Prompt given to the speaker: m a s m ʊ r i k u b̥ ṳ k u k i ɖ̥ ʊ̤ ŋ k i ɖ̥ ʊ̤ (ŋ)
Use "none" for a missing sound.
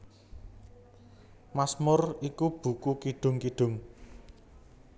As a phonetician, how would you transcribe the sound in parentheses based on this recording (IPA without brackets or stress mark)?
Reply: ŋ